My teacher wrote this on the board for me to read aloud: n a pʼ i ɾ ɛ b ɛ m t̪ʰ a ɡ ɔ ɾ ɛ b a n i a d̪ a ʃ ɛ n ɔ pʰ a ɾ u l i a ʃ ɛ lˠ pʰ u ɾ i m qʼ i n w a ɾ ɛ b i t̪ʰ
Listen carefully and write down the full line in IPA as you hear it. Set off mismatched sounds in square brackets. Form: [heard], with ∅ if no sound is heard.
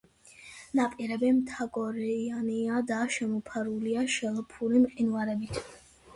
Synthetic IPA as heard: n a pʼ i ɾ ɛ b ɛ m t̪ʰ a ɡ ɔ ɾ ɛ [∅] a n i a d̪ a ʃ ɛ [m] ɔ pʰ a ɾ u l i a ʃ ɛ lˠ pʰ u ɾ i m qʼ i n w a ɾ ɛ b i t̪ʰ